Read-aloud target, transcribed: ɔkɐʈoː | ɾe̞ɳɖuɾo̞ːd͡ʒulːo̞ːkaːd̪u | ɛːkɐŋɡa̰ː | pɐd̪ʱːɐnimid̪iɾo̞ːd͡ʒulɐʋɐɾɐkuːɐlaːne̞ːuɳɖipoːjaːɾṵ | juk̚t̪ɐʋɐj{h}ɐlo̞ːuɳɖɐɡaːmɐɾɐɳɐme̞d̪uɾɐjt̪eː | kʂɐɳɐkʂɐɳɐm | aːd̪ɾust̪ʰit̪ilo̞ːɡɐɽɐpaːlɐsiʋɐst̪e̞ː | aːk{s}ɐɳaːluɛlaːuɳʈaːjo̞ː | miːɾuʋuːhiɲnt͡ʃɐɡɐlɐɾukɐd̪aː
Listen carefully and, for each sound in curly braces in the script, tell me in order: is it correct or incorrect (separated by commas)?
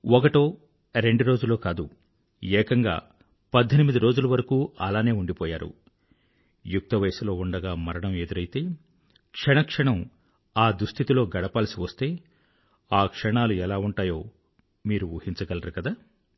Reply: incorrect, incorrect